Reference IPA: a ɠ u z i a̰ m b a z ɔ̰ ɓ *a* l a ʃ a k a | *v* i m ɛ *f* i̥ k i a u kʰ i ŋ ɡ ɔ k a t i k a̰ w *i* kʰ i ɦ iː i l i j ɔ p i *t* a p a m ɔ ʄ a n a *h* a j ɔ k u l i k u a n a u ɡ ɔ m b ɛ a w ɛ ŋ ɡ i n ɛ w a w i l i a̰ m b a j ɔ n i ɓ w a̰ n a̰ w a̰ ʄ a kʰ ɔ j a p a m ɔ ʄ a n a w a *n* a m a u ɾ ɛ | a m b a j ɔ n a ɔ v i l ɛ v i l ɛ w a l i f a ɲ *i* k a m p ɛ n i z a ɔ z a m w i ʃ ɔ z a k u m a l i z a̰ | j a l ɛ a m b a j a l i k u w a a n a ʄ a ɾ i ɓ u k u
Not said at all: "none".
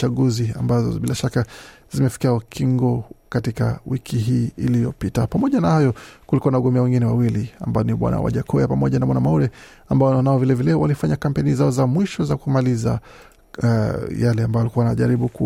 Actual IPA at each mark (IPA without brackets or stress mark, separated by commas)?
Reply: i, z, f, i, t, h, n, a